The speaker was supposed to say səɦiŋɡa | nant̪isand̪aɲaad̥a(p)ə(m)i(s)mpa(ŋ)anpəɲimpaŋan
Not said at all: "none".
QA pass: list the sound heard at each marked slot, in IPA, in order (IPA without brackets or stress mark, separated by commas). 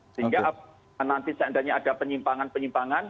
p, ɲ, none, ŋ